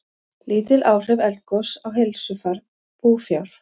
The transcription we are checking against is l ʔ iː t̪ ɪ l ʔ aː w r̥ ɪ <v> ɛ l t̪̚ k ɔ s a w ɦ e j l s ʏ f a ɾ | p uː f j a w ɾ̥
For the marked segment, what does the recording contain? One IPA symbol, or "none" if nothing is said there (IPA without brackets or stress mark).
v